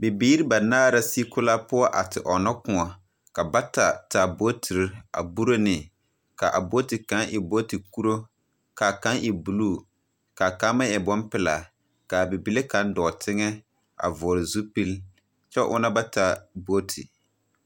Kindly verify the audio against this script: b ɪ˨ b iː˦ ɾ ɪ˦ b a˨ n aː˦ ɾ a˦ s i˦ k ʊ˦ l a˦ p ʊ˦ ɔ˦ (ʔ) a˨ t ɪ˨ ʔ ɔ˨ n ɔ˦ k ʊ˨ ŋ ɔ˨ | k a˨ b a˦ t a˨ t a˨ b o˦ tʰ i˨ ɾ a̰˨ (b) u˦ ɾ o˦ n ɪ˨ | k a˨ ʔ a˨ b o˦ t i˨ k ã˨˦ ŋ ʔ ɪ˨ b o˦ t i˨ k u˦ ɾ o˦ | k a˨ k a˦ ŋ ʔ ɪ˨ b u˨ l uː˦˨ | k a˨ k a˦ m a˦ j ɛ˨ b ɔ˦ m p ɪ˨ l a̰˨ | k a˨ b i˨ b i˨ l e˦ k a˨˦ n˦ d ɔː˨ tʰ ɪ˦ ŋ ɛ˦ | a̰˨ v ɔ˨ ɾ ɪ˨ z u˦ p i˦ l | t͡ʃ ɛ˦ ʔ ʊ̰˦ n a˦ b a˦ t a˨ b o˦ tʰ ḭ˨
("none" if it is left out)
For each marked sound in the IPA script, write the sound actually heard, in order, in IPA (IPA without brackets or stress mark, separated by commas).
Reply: ʔ, b